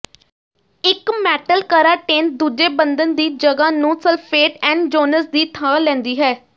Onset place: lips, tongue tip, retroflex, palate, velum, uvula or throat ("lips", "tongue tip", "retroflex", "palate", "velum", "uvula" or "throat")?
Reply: velum